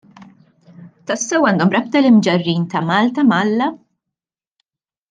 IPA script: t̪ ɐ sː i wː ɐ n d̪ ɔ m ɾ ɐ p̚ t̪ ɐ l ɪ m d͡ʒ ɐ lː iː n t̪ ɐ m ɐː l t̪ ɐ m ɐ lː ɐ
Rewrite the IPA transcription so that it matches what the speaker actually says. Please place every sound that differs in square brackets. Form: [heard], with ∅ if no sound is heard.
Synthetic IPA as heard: t̪ ɐ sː [ɛ] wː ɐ n d̪ ɔ m ɾ ɐ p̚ t̪ ɐ l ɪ m d͡ʒ ɐ [rː] iː n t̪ ɐ m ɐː l t̪ ɐ m ɐ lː ɐ